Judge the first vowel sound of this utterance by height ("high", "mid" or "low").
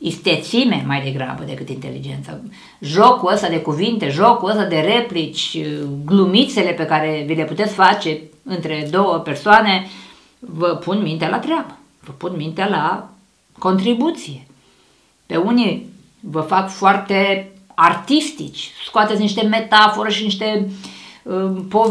high